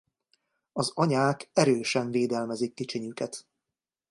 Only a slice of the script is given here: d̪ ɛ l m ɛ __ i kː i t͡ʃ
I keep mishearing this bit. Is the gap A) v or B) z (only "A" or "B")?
B